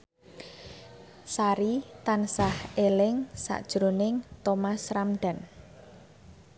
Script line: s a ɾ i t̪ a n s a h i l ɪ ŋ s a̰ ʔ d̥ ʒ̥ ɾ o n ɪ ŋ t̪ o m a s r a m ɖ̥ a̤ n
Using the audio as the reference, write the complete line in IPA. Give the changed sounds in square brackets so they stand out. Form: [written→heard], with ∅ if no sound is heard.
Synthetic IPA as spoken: s a ɾ i t̪ a n s a h [i→e] l ɪ ŋ s a̰ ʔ d̥ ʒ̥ ɾ o n ɪ ŋ t̪ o m a s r a m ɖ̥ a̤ n